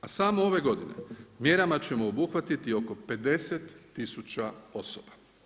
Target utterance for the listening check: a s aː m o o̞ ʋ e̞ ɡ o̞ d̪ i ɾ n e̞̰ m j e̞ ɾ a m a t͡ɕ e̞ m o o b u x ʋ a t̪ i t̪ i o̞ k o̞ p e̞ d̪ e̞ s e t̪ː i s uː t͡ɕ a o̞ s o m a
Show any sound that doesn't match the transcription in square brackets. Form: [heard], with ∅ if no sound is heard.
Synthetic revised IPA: a s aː m o o̞ ʋ e̞ ɡ o̞ d̪ i [∅] n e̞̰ m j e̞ ɾ a m a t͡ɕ e̞ m o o b u x ʋ a t̪ i t̪ i o̞ k o̞ p e̞ d̪ e̞ s e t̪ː i s [u] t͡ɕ a o̞ s o [b] a